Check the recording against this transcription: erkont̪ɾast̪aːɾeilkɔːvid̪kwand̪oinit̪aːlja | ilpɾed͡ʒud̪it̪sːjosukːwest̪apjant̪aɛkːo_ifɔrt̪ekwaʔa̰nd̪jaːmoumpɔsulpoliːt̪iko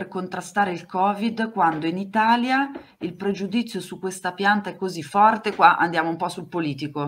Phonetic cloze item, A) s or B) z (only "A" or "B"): B